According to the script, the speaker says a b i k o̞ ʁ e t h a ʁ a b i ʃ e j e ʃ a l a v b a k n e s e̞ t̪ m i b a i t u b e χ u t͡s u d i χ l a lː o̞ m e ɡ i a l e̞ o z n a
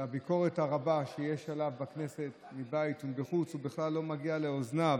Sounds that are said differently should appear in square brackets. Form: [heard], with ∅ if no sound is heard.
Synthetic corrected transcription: a b i k o̞ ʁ e t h a ʁ a b [a] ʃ e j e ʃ a l a v b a k n e s e̞ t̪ m i b a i t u b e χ u t͡s u [b] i χ l a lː o̞ m [a] ɡ i a l e̞ o z n a